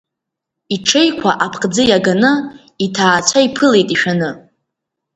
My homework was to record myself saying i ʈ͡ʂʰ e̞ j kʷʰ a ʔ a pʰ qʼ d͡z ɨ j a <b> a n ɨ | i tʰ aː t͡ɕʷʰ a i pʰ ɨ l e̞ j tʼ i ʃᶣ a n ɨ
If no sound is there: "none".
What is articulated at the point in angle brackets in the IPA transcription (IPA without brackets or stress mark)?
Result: ɡ